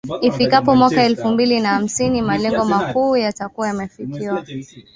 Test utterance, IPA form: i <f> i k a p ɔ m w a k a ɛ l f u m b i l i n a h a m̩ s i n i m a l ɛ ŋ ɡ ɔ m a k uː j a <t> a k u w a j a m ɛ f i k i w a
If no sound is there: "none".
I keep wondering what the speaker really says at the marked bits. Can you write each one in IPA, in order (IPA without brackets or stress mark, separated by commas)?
f, t